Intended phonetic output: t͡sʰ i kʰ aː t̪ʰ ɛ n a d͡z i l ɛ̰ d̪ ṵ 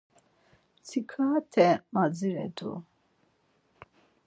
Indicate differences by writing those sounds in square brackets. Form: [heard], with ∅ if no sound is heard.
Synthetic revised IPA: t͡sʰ i kʰ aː t̪ʰ ɛ [m] a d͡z i [ɾ] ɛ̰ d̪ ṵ